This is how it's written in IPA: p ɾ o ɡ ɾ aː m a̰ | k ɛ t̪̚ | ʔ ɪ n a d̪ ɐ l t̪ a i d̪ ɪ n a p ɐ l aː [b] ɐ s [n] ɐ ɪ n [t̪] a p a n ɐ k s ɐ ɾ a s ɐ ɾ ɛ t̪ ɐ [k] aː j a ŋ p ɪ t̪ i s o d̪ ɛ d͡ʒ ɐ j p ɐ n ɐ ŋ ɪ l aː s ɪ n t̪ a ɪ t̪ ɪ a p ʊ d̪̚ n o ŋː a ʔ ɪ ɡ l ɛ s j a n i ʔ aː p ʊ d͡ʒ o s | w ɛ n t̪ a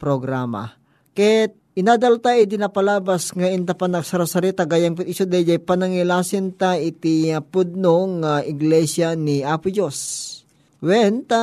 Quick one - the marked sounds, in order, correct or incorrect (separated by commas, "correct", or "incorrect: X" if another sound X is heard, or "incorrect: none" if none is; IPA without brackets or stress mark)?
correct, incorrect: ŋ, correct, incorrect: ɡ